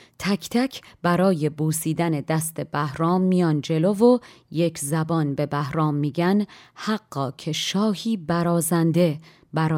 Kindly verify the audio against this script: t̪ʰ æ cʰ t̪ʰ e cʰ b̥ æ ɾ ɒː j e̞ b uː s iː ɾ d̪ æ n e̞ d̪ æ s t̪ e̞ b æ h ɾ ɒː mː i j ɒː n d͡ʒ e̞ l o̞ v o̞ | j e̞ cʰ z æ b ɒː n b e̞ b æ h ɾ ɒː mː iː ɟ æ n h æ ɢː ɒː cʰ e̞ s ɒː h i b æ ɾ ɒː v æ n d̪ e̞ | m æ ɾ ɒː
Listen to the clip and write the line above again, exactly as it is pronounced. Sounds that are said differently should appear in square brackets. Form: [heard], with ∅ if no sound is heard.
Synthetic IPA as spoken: t̪ʰ æ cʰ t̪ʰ [æ] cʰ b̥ æ ɾ ɒː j e̞ b uː s iː [∅] d̪ æ n e̞ d̪ æ s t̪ e̞ b æ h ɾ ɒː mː i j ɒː n d͡ʒ e̞ l o̞ v o̞ | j e̞ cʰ z æ b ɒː n b e̞ b æ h ɾ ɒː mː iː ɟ æ n h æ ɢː ɒː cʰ e̞ [ʃ] ɒː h [iː] b æ ɾ ɒː [z] æ n d̪ e̞ | [b] æ ɾ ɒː